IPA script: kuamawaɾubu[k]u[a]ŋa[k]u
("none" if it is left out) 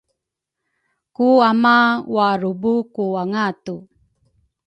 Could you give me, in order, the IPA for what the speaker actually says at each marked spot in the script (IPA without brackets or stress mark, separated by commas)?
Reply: k, a, t